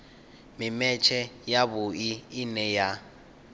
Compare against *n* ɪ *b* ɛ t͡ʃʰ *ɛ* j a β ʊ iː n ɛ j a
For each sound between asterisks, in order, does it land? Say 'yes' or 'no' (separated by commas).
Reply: no, no, yes